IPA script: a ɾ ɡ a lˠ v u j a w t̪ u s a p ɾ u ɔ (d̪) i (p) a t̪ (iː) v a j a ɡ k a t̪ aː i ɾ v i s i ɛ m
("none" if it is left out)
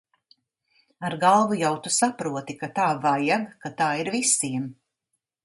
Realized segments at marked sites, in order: t̪, k, aː

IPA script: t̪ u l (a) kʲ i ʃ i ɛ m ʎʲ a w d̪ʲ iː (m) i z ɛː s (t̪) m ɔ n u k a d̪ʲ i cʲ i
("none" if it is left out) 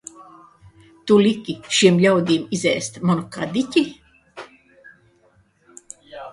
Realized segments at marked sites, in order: i, m, t̪

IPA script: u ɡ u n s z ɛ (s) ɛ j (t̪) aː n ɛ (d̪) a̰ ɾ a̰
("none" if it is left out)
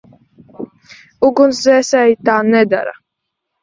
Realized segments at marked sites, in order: s, t̪, d̪

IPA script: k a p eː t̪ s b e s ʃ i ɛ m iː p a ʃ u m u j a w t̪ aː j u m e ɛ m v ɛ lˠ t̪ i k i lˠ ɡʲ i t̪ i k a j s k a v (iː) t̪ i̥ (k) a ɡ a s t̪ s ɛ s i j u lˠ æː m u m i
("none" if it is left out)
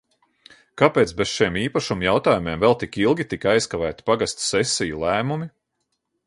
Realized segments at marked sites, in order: æː, p

